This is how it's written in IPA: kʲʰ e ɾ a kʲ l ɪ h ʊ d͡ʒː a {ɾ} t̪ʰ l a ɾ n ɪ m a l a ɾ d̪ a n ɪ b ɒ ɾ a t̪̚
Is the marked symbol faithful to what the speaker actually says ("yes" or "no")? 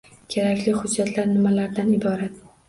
no